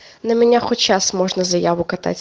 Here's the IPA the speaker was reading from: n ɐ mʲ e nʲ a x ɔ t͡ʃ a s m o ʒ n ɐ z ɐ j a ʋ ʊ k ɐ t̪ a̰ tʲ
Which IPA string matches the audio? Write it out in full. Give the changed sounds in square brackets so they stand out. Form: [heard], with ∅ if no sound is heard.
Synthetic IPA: n ɐ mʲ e nʲ a x ɔ t͡ʃ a s m [ɔ] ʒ n ɐ z ɐ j a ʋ ʊ k ɐ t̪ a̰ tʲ